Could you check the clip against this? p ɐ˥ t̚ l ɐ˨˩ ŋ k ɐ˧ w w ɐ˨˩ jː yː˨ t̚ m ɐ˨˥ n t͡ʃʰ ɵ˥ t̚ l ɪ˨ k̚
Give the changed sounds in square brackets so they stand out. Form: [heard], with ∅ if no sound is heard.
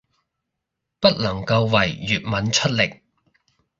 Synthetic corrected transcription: p ɐ˥ t̚ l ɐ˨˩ ŋ k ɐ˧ w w ɐ˨˩ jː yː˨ t̚ m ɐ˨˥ n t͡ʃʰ ɵ˥ t̚ l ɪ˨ k̚